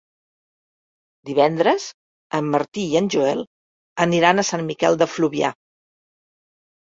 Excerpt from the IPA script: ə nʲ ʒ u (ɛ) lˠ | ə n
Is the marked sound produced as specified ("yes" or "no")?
yes